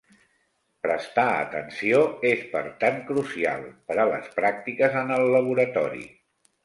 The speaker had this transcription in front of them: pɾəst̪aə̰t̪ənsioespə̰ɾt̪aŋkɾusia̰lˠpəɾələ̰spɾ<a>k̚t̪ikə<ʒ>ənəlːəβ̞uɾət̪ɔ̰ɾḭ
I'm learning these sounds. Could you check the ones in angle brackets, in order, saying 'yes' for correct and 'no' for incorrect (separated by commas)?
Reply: yes, no